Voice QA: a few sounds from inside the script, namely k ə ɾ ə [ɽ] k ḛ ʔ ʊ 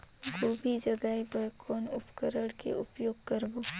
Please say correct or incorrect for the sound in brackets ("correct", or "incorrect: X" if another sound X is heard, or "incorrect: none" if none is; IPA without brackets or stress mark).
correct